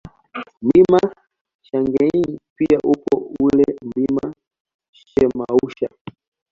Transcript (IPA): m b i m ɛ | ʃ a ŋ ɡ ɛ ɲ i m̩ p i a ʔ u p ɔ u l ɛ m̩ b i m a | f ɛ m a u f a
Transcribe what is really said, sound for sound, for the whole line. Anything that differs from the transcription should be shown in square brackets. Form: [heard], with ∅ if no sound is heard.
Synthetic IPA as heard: m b i m [a] | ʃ a ŋ ɡ ɛ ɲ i [∅] p i a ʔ u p ɔ u l ɛ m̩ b i m a | [ʃ] ɛ m a u [ʃ] a